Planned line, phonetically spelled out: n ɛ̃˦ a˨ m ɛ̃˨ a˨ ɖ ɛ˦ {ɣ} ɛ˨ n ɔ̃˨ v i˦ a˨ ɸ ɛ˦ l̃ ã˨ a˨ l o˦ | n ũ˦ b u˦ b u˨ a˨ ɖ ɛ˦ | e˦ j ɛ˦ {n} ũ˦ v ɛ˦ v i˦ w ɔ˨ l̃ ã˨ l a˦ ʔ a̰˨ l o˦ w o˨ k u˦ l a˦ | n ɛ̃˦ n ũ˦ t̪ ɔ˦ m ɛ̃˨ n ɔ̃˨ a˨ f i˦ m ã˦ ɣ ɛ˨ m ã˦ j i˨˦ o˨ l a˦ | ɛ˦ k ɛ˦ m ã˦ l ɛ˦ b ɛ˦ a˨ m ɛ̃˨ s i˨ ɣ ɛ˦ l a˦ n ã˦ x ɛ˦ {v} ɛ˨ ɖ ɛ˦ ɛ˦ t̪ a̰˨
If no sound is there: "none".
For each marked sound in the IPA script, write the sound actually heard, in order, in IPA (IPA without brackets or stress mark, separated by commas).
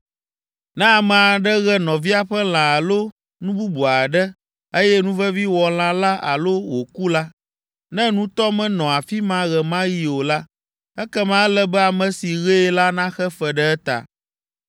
ɣ, n, f